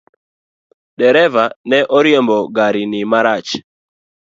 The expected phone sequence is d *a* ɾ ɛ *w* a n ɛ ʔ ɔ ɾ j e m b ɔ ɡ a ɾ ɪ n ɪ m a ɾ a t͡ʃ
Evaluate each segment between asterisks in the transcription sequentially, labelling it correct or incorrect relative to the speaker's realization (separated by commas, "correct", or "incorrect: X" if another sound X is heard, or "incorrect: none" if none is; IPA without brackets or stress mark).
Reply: incorrect: ɛ, incorrect: v